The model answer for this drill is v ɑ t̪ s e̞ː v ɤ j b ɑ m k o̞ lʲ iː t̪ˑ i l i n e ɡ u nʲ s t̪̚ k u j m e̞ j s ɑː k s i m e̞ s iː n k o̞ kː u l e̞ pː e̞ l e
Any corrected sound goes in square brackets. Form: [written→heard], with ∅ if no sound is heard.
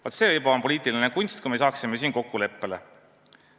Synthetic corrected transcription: v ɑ t̪ s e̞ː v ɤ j b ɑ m [k→p] o̞ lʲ iː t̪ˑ i l i n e [ɡ→k] u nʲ s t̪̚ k u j m e̞ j s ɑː k s i m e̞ s iː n k o̞ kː u l e̞ pː e̞ l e